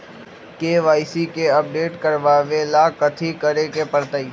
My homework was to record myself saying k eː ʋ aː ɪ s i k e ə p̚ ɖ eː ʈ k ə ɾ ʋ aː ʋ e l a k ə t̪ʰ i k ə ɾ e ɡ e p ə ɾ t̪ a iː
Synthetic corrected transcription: k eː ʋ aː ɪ s i k e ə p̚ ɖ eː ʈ k ə ɾ ʋ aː ʋ e l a k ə t̪ʰ i k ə ɾ e k e p ə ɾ t̪ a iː